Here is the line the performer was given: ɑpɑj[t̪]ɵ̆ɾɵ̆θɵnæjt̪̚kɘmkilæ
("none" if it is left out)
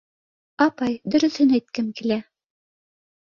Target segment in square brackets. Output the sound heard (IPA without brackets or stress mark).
d̪